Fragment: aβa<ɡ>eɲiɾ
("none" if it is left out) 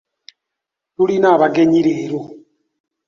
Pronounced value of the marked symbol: ɡ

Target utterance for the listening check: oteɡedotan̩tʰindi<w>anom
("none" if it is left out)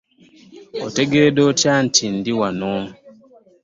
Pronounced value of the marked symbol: w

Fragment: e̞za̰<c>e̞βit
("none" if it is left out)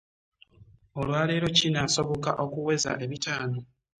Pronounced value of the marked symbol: ʔ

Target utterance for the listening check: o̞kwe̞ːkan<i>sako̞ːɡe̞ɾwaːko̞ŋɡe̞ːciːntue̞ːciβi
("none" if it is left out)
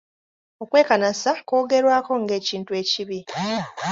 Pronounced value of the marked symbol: a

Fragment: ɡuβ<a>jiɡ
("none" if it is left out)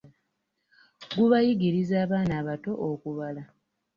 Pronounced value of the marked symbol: a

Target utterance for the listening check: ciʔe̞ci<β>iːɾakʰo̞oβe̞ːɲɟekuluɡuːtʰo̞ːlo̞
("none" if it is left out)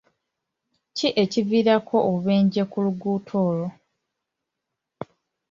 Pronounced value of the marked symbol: v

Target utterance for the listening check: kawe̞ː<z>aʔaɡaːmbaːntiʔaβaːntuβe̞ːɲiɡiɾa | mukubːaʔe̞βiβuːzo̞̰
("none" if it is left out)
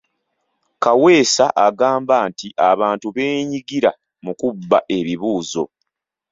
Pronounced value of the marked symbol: s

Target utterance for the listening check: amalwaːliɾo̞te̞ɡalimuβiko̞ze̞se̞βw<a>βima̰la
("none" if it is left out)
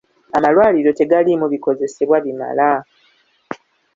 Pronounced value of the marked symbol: a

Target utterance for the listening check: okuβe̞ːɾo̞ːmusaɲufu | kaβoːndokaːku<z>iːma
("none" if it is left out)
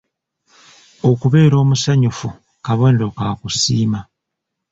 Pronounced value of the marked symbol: s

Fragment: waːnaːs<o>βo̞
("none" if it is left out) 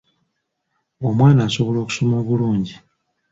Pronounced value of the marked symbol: o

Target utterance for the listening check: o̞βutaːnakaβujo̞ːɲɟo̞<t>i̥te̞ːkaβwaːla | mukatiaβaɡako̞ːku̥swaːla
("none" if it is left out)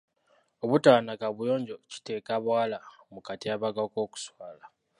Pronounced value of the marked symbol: c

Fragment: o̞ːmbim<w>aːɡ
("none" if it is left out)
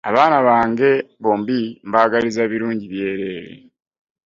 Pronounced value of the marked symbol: b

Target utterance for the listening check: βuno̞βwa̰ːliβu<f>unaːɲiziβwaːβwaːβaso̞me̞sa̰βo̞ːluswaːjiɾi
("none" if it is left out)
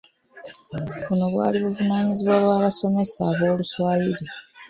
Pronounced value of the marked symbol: v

